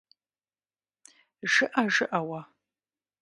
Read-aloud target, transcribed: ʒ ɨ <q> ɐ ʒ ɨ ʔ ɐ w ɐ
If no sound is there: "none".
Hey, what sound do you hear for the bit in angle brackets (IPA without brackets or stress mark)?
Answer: ʔ